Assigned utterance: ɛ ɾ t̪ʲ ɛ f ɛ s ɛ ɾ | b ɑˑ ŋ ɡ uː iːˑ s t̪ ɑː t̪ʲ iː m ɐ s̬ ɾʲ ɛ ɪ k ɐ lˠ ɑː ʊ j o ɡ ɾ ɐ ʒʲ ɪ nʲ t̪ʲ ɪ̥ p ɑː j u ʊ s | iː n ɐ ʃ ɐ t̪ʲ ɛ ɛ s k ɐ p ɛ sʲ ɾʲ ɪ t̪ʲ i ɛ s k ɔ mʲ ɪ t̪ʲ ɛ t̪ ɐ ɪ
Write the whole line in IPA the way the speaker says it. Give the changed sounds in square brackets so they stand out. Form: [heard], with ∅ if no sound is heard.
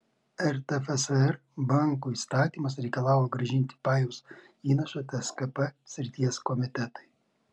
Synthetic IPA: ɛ ɾ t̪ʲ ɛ f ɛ s ɛ ɾ | b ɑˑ ŋ [k] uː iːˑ s t̪ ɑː t̪ʲ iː m ɐ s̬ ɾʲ ɛ ɪ k ɐ lˠ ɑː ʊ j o ɡ ɾ ɐ ʒʲ ɪ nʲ t̪ʲ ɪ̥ p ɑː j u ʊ s | iː n ɐ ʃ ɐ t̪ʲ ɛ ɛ s k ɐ p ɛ sʲ ɾʲ ɪ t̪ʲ i ɛ s k ɔ mʲ ɪ t̪ʲ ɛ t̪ ɐ ɪ